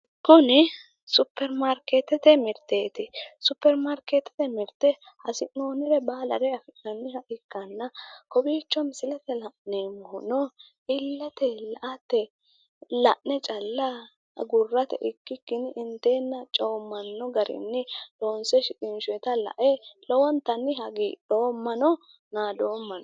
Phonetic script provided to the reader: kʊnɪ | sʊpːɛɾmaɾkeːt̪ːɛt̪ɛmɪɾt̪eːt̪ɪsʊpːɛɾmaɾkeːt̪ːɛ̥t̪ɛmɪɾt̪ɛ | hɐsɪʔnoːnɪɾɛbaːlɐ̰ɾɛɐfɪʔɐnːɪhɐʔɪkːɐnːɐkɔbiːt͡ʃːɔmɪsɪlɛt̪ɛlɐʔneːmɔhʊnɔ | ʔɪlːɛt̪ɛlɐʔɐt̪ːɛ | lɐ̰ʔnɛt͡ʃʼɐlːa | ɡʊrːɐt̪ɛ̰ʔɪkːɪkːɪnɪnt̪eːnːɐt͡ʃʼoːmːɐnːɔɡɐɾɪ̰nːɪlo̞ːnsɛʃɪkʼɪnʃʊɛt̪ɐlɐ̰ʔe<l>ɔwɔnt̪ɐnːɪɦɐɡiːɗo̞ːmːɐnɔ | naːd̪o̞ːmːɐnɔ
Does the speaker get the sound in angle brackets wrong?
no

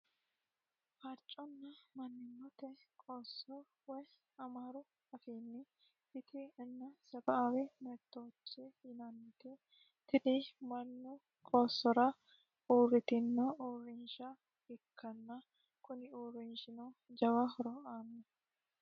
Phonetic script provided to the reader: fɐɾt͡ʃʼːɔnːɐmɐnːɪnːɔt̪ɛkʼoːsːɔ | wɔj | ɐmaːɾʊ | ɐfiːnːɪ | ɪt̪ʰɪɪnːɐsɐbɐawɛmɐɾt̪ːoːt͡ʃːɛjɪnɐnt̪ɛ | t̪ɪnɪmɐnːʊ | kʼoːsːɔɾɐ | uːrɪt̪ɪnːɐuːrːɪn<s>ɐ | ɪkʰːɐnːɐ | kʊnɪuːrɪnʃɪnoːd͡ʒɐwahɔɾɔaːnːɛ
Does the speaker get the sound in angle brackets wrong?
yes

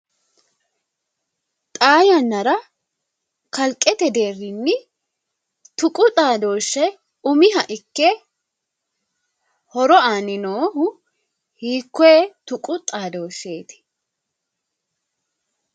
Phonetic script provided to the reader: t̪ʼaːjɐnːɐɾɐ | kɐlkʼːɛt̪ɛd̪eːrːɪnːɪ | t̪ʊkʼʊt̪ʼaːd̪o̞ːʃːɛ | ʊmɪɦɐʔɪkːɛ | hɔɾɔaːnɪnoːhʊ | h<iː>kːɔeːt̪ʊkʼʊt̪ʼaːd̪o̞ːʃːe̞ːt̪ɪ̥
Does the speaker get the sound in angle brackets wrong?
no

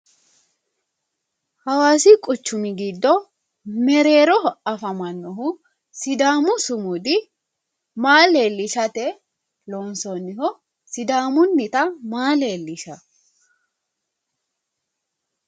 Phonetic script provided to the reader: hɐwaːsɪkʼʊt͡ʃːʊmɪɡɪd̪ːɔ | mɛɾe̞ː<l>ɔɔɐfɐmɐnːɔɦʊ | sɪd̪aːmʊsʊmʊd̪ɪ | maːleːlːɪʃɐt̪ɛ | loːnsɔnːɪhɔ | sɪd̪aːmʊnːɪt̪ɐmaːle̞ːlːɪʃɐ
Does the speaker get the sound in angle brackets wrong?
yes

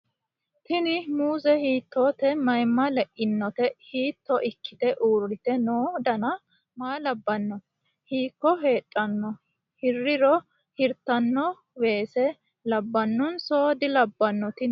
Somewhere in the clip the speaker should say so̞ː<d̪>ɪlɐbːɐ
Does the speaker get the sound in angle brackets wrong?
no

